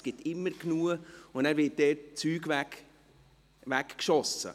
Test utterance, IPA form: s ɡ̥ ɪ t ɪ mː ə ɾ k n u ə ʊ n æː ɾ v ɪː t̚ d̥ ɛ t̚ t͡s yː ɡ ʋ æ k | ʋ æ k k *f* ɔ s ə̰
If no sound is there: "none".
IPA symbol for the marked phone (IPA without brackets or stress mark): ʃ